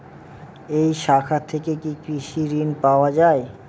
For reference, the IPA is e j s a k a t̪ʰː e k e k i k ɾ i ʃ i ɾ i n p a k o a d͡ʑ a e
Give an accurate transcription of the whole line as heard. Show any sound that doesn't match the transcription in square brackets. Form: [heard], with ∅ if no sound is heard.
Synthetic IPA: e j [ʃ] a [kʰ] a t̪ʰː e k e k i k ɾ i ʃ i ɾ i n p a [∅] o a d͡ʑ a e